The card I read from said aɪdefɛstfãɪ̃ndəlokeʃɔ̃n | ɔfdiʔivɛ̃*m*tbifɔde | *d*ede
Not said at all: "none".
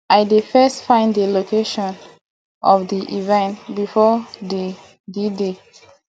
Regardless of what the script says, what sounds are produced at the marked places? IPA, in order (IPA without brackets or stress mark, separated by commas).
n, d